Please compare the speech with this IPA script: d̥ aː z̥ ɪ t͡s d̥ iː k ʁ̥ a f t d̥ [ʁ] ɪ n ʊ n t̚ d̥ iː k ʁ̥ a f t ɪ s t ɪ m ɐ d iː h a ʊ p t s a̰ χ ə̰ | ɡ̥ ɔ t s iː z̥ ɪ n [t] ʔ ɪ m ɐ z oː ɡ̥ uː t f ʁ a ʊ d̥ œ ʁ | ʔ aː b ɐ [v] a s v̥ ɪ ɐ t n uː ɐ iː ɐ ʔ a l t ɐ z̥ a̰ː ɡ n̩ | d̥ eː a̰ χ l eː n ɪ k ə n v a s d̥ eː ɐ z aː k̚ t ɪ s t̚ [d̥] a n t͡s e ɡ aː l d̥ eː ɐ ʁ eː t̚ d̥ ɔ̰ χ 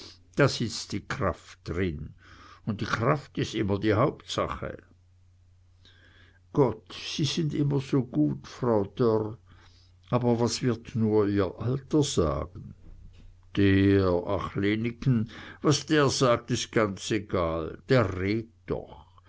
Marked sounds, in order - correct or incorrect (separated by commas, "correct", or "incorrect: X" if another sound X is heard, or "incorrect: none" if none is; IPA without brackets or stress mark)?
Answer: correct, incorrect: d, correct, incorrect: ɡ̥